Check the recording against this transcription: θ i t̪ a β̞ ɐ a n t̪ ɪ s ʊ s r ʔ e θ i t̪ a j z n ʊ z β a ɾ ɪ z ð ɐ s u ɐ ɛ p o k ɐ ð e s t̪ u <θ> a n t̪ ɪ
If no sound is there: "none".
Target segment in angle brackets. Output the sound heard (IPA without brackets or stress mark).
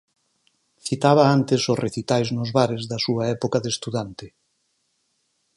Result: ð